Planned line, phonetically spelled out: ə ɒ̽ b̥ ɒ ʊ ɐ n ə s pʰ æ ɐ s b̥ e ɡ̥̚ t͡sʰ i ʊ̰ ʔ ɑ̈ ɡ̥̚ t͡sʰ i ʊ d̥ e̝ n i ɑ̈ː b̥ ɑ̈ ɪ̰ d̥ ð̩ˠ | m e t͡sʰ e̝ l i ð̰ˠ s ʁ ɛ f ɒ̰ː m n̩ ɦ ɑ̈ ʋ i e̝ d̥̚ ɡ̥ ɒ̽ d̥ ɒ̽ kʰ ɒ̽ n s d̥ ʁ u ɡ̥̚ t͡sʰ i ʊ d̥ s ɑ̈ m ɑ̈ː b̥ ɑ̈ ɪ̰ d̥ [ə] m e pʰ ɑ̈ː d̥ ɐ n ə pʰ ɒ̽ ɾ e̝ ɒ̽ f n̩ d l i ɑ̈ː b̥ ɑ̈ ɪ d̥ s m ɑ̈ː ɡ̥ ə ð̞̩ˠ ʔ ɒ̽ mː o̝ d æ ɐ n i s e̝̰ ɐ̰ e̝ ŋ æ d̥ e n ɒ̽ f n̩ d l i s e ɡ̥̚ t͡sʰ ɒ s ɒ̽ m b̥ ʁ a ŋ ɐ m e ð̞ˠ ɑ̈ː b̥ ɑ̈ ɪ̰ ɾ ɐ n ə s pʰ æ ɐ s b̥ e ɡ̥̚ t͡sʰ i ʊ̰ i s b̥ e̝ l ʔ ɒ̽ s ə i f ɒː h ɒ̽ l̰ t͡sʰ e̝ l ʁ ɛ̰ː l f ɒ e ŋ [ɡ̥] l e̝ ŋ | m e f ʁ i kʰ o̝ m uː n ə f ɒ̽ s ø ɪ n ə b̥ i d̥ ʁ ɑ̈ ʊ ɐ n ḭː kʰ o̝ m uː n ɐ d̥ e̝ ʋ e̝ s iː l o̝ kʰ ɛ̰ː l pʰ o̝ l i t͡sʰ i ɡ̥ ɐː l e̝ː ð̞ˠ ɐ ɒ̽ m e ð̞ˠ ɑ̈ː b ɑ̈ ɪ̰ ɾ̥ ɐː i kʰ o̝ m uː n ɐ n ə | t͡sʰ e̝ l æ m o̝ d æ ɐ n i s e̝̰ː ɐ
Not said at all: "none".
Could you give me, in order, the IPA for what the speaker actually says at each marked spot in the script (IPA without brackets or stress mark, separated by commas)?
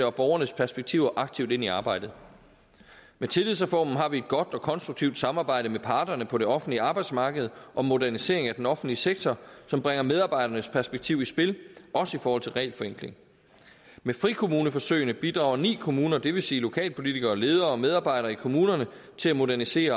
ə, ɡ̥